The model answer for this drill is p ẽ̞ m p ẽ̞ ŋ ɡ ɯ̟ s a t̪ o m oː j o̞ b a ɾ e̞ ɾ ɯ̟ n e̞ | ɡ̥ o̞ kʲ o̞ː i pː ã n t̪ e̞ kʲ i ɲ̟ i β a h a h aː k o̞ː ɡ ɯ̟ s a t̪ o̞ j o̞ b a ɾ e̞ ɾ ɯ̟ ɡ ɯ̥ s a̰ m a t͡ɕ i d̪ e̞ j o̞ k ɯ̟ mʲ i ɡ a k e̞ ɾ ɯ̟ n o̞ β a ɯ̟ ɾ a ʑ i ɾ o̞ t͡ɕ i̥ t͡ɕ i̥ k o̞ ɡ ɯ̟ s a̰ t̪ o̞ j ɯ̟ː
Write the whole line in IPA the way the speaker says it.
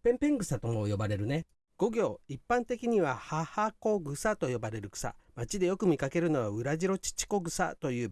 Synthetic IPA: p ẽ̞ m p ẽ̞ ŋ ɡ ɯ̟ s a t̪ o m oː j o̞ b a ɾ e̞ ɾ ɯ̟ n e̞ | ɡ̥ o̞ ɡʲ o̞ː i pː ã n t̪ e̞ kʲ i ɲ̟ i β a h a h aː k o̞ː ɡ ɯ̟ s a t̪ o̞ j o̞ b a ɾ e̞ ɾ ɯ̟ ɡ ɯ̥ s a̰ m a t͡ɕ i d̪ e̞ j o̞ k ɯ̟ mʲ i k a k e̞ ɾ ɯ̟ n o̞ β a ɯ̟ ɾ a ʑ i ɾ o̞ t͡ɕ i̥ t͡ɕ i̥ k o̞ ɡ ɯ̟ s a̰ t̪ o̞ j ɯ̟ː